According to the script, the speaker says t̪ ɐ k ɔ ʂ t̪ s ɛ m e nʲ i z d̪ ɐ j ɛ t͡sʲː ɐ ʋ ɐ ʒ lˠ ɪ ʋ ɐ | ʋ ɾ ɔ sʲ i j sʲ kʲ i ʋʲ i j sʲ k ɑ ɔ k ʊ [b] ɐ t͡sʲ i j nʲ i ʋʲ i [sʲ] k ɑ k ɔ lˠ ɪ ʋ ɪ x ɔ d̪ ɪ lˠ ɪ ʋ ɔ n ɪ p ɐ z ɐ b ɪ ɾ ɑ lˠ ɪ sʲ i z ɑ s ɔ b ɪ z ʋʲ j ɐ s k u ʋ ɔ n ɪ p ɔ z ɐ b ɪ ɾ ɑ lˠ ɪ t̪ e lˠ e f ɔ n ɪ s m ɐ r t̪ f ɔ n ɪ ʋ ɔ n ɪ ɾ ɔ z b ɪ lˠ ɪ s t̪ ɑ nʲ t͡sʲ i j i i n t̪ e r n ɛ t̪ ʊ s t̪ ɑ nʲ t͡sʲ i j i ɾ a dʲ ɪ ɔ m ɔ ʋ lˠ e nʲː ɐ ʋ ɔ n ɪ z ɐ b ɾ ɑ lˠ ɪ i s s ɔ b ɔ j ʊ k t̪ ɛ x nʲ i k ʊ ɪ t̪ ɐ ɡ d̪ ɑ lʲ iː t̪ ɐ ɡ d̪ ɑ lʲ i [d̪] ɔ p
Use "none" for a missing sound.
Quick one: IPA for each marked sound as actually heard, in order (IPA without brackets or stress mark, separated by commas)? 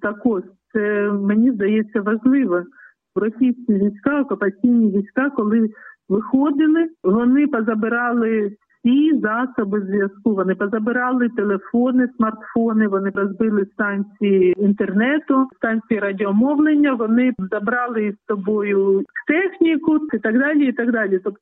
p, sʲ, t̪